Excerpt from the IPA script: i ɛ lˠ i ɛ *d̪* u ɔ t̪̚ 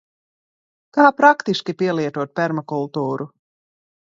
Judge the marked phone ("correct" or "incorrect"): incorrect